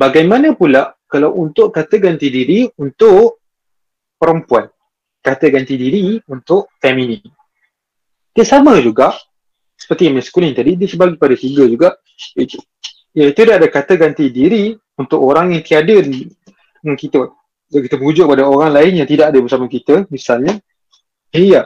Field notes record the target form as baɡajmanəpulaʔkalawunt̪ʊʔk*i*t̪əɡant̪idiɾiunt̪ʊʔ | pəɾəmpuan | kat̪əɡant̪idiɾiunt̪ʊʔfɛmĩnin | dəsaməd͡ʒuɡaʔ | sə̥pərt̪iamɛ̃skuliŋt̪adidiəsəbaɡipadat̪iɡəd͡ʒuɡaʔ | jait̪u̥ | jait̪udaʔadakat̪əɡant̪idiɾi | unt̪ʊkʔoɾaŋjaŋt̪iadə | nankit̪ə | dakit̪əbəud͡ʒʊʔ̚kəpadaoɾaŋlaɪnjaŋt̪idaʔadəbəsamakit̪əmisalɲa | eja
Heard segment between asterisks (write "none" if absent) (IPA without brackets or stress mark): a